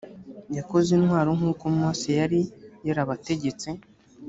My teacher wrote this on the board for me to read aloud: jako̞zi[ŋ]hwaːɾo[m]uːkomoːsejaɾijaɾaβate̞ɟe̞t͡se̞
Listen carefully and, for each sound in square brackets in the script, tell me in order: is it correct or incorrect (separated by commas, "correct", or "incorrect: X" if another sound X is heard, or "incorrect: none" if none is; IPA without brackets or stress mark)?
incorrect: n, incorrect: ŋ